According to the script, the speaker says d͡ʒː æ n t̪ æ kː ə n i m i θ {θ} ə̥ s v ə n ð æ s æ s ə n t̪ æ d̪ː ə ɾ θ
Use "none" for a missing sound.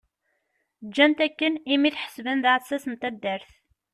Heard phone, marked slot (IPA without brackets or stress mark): ħ